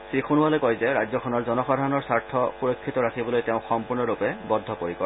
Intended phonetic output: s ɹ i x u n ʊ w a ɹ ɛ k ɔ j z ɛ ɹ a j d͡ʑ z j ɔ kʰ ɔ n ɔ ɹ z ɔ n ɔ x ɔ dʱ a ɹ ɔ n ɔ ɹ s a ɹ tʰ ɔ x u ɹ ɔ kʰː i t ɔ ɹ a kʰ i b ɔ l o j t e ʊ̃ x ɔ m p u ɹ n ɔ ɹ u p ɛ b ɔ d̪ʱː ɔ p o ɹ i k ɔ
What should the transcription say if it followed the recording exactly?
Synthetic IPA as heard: s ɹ i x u n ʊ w a l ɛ k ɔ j z ɛ ɹ a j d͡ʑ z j ɔ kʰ ɔ n ɔ ɹ z ɔ n ɔ x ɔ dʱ a ɹ ɔ n ɔ ɹ s a ɹ tʰ ɔ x u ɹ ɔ kʰː i t ɔ ɹ a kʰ i b ɔ l o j t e ʊ̃ x ɔ m p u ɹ n ɔ ɹ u p ɛ b ɔ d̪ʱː ɔ p o ɹ i k ɔ